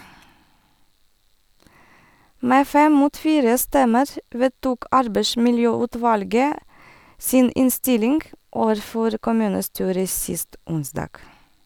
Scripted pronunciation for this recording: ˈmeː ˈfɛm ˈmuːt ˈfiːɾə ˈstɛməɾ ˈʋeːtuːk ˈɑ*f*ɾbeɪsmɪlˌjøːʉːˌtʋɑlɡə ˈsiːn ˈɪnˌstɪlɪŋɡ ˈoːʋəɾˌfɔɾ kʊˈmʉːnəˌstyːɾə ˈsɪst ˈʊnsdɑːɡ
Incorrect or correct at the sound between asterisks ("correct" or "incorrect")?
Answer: incorrect